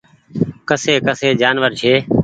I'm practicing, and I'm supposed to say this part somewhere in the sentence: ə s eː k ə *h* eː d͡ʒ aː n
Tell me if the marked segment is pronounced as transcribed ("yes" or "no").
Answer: no